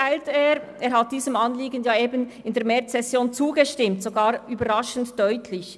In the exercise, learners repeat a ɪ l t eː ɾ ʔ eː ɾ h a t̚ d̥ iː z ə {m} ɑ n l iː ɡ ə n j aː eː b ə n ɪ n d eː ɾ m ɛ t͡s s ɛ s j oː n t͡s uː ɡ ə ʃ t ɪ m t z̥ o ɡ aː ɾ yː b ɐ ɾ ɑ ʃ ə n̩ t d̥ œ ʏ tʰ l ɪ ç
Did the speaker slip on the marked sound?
no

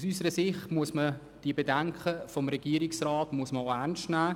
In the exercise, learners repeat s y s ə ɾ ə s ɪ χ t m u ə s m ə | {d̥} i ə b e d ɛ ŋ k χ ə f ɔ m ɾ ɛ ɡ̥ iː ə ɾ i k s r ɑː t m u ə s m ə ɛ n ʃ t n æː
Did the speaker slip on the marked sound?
no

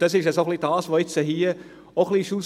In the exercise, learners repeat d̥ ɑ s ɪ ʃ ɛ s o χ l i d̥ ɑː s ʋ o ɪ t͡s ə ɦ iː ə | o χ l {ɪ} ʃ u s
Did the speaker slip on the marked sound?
yes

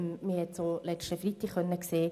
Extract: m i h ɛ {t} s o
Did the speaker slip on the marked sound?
no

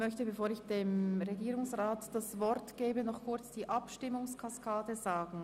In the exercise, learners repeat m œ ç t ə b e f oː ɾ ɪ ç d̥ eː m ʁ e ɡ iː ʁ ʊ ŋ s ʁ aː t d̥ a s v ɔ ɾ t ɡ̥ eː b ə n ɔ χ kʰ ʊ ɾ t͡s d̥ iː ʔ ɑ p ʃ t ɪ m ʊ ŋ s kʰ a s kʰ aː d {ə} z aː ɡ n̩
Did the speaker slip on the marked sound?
no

